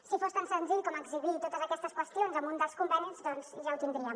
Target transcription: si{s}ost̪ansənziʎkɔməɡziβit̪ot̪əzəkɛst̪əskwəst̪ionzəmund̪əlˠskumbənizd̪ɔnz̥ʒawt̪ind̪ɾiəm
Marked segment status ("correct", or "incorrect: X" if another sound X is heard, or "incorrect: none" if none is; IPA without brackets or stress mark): incorrect: f